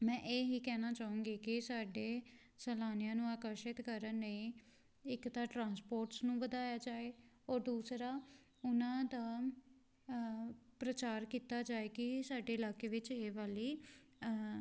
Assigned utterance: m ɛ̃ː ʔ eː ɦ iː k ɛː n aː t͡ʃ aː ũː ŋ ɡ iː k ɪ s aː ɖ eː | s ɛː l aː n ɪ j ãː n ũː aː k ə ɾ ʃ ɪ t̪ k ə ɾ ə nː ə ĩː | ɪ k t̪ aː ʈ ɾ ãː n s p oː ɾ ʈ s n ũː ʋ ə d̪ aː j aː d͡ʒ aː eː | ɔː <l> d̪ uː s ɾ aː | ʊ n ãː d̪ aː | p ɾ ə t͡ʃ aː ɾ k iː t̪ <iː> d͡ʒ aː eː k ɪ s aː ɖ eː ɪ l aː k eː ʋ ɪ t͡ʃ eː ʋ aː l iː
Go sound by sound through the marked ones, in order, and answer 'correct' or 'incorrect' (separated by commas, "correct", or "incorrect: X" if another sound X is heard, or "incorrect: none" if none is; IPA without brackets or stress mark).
incorrect: ɾ, incorrect: aː